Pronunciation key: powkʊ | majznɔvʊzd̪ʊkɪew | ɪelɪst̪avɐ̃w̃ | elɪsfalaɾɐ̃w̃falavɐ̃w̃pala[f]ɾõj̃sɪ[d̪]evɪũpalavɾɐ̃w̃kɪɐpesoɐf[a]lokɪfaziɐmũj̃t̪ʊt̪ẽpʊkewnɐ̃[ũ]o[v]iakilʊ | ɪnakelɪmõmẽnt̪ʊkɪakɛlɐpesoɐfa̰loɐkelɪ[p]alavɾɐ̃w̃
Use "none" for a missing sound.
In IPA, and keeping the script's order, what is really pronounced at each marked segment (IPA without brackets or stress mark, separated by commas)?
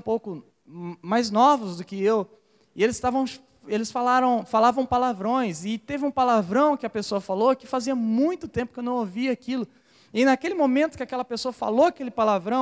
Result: v, t̪, a, w̃, v, p